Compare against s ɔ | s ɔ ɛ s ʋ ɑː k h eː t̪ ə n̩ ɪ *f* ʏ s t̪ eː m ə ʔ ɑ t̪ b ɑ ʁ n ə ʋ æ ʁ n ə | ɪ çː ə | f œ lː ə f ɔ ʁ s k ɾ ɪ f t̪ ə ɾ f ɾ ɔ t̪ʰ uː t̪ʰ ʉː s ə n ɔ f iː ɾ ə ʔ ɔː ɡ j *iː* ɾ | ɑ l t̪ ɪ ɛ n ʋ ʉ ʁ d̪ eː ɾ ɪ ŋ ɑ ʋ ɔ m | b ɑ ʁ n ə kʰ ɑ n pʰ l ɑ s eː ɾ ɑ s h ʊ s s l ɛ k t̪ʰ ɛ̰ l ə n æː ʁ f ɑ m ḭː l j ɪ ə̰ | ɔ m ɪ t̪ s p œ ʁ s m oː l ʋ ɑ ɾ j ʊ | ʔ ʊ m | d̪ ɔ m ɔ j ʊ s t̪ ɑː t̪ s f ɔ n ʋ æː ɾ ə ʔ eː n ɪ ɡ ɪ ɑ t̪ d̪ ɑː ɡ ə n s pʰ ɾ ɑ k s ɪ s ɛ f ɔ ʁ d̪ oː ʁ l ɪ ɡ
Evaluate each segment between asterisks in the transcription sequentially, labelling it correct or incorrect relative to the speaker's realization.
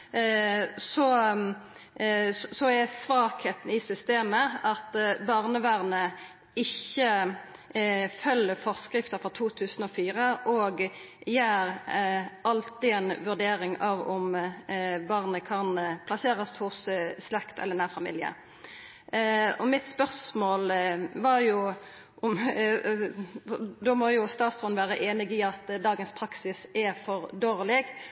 incorrect: s, incorrect: æː

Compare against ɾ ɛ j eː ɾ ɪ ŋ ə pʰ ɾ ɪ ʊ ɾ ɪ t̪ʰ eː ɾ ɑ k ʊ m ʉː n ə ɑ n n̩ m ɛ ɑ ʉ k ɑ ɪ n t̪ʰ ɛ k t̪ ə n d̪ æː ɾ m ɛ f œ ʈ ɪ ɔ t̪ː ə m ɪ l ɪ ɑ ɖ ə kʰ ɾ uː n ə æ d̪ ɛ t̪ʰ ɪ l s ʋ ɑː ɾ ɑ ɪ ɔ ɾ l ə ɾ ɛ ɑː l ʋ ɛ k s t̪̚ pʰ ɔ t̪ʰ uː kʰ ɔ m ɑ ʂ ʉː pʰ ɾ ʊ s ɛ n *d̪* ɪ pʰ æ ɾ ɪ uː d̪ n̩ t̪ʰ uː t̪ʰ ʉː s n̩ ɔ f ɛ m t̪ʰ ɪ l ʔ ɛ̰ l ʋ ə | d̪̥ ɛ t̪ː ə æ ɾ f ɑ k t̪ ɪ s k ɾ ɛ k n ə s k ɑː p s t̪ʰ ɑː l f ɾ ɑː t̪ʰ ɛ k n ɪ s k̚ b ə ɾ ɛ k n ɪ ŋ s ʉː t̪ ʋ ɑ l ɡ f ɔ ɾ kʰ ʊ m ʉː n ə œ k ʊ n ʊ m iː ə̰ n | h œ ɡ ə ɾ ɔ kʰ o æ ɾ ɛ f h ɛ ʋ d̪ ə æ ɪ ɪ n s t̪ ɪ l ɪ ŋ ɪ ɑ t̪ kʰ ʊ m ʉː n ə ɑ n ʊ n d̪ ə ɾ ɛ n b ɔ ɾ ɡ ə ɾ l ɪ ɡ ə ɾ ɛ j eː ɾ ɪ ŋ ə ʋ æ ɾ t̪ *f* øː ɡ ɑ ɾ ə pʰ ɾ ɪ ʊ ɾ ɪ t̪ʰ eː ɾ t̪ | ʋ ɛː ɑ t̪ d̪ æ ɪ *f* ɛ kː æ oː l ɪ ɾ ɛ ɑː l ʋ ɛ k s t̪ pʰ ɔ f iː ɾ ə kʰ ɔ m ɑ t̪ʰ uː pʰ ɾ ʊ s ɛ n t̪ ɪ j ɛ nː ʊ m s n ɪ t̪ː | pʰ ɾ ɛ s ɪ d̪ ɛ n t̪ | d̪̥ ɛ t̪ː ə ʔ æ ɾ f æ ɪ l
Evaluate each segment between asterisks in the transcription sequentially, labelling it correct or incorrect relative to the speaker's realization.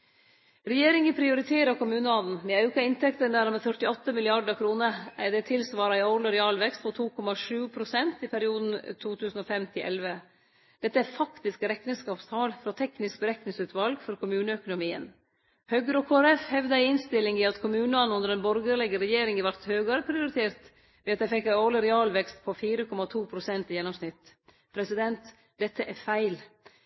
incorrect: t̪, incorrect: h, correct

